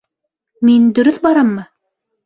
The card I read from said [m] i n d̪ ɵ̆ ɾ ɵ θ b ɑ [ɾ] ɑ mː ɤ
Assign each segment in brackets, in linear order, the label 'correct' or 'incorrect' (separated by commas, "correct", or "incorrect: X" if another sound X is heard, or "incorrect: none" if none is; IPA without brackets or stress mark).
correct, correct